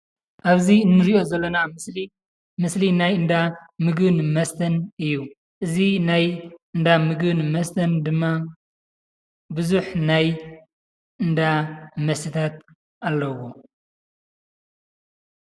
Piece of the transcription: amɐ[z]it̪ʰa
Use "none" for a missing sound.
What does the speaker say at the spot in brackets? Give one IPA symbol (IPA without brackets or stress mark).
s